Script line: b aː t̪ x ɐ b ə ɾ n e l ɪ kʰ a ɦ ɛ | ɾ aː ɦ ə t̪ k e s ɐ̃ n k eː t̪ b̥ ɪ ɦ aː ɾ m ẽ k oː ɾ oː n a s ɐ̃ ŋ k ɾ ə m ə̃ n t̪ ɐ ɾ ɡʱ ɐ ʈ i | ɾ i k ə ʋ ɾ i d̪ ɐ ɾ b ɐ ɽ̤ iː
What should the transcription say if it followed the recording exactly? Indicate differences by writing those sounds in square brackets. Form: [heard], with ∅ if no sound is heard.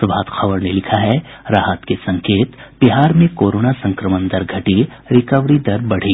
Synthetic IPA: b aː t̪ x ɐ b ə ɾ n e l ɪ kʰ a ɦ ɛ | ɾ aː ɦ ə t̪ k e s ɐ̃ [ŋ] k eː t̪ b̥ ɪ ɦ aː ɾ m ẽ k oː ɾ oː n a s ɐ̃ ŋ k ɾ ə m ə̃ n [d̪] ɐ ɾ ɡʱ ɐ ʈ i | ɾ [ɪ] k ə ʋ ɾ i d̪ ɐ ɾ b ɐ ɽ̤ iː